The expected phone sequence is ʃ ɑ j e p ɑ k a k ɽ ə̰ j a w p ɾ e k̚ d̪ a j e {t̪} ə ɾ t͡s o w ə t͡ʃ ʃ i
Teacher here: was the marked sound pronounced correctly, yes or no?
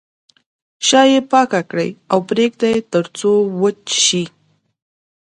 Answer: yes